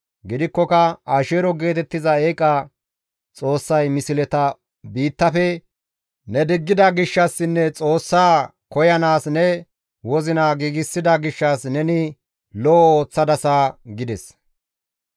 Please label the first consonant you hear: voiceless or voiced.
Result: voiced